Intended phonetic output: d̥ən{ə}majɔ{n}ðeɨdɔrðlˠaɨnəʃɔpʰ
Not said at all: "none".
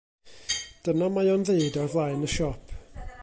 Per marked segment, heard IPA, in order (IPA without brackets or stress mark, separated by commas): a, n